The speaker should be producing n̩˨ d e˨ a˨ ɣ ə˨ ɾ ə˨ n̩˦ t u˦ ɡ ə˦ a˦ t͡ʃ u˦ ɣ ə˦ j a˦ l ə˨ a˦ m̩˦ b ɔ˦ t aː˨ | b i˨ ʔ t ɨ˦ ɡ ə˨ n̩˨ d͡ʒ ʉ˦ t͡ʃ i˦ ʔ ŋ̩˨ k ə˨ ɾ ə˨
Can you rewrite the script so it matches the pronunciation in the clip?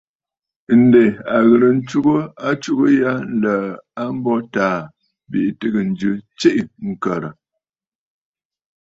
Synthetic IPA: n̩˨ d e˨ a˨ ɣ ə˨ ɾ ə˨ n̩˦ t͡ʃ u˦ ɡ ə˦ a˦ t͡ʃ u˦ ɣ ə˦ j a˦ l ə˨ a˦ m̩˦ b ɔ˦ t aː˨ | b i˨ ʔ t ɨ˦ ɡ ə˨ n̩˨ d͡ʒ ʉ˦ t͡ʃ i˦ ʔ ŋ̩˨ k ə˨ ɾ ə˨

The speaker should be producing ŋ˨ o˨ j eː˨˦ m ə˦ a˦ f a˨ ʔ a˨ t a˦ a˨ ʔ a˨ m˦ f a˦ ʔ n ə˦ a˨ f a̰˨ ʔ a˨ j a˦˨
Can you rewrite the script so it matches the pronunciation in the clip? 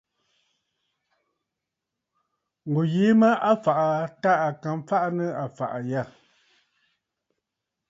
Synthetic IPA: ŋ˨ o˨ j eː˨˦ m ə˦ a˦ f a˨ ʔ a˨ t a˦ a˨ k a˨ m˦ f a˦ ʔ n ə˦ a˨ f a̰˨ ʔ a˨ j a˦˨

